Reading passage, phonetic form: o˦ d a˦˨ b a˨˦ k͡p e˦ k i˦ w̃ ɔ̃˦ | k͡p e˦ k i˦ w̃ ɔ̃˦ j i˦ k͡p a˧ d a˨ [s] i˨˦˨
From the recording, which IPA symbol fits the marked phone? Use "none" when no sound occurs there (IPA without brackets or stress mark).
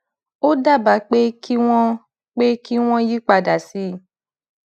s